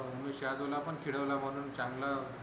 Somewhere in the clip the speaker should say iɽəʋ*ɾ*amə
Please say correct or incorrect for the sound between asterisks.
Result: incorrect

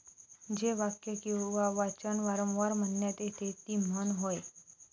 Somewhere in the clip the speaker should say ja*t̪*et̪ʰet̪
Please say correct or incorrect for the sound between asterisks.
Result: correct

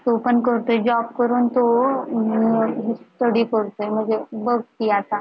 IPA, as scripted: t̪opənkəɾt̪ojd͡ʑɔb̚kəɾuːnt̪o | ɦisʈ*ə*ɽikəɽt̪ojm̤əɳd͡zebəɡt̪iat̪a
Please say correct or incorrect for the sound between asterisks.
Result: correct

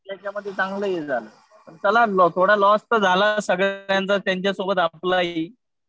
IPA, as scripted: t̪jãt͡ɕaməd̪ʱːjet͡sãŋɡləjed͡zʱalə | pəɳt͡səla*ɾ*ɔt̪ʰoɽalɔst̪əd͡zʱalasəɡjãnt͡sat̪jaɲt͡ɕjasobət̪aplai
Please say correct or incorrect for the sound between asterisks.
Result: incorrect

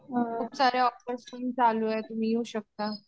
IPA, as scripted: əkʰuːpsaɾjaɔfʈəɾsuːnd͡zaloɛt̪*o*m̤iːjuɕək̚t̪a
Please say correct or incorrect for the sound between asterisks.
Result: incorrect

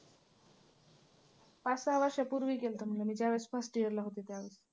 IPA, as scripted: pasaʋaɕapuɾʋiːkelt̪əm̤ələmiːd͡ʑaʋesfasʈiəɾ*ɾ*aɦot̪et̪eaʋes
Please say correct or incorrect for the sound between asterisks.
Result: incorrect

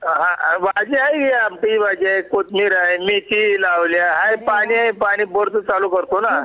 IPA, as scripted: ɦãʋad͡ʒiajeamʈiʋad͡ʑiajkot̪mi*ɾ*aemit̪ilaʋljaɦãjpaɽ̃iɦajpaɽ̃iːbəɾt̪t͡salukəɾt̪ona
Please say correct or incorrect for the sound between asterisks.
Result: correct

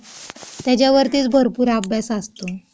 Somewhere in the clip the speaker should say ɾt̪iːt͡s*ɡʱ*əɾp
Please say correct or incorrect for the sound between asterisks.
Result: incorrect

